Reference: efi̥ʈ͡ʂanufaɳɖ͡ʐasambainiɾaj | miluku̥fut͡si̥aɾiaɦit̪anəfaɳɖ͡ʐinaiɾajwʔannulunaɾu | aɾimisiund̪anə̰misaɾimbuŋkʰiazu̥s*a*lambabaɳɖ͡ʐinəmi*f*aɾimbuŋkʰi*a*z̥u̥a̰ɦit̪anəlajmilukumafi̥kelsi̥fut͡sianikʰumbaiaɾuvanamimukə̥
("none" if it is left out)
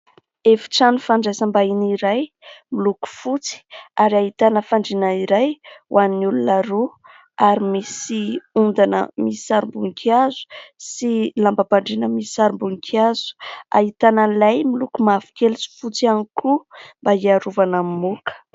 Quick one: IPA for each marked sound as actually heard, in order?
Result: i, s, a

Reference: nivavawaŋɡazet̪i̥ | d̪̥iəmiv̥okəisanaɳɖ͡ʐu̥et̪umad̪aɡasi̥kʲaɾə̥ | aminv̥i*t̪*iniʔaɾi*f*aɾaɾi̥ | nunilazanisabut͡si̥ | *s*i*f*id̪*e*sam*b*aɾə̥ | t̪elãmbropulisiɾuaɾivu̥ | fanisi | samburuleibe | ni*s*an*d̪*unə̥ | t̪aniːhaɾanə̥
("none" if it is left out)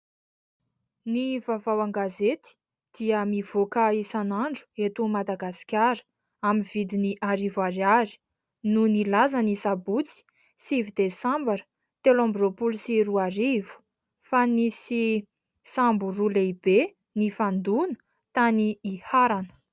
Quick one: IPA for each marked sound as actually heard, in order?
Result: d̪, v, s, v, e, b, f, d̪

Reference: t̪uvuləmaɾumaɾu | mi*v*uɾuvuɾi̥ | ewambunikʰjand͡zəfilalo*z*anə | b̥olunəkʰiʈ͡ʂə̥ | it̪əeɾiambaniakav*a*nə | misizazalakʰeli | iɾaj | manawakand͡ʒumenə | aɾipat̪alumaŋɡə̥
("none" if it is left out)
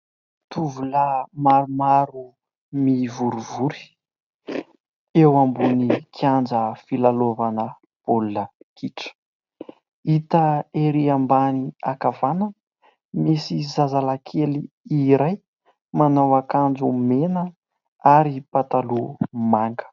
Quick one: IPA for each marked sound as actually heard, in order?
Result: v, v, a

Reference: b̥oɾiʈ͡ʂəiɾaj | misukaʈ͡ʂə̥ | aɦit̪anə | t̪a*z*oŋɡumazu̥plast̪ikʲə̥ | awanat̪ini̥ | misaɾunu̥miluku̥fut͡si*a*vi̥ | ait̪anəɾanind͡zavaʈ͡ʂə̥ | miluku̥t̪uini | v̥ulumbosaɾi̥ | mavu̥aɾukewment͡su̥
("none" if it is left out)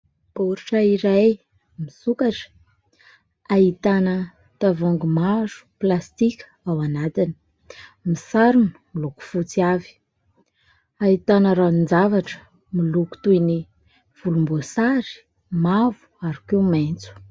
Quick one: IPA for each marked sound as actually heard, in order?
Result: v, a

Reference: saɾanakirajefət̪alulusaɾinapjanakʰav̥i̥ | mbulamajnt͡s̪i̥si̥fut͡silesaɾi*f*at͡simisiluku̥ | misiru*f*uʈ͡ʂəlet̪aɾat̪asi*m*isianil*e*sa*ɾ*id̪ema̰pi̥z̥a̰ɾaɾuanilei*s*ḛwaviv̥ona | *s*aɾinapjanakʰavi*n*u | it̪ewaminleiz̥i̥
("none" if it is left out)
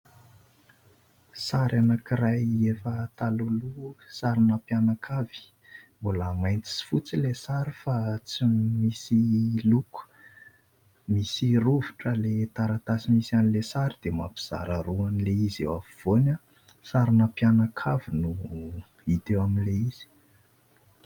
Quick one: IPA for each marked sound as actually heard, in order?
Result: f, v, m, e, ɾ, z, s, n

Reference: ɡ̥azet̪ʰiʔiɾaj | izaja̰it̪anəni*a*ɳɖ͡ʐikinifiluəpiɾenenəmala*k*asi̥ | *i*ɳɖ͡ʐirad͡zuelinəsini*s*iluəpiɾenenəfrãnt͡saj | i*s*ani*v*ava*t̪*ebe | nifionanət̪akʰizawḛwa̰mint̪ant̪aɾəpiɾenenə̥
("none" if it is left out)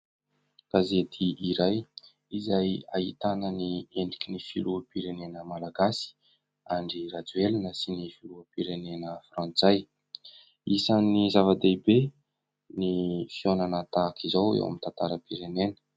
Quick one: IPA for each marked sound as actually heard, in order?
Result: e, ɡ, a, f, s, z, d̪

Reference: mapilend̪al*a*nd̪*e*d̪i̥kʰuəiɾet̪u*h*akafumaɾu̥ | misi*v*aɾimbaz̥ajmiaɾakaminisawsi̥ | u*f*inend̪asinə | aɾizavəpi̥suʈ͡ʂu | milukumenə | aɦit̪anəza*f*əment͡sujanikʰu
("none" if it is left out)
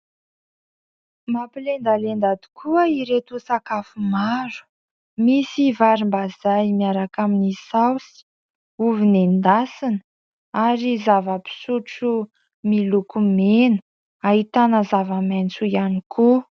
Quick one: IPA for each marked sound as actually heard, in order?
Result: e, a, s, v, v, v

